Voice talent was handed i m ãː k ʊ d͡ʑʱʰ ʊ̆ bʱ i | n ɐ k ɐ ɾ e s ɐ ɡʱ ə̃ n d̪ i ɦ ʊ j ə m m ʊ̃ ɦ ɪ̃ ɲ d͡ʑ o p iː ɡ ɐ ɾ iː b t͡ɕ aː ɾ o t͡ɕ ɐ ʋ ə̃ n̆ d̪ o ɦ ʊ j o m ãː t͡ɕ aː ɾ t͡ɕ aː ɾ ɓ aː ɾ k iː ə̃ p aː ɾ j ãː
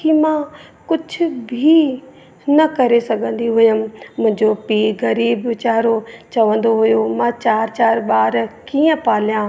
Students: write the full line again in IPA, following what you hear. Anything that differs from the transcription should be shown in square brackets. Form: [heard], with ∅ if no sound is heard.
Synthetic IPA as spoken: i m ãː k ʊ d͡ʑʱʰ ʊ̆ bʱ i | n ɐ k ɐ ɾ e s ɐ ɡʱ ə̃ n d̪ i ɦ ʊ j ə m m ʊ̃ ɦ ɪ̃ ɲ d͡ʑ o p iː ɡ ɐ ɾ iː b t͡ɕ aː ɾ o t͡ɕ ɐ ʋ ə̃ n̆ d̪ o ɦ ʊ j o m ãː t͡ɕ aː ɾ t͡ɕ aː ɾ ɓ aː ɾ k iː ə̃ p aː [l] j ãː